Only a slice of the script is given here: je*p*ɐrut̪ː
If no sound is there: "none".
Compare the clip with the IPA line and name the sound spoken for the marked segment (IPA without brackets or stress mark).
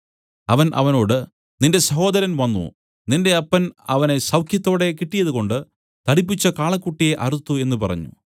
ʔ